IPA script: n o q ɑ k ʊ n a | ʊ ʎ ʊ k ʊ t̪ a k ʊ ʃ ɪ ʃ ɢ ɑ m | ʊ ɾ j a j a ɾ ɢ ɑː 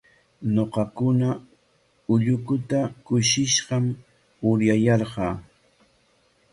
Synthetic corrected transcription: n o q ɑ k ʊ n a | ʊ ʎ ʊ k ʊ t̪ a k ʊ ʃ ɪ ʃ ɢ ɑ m | ʊ ɾ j a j ɑ ɾ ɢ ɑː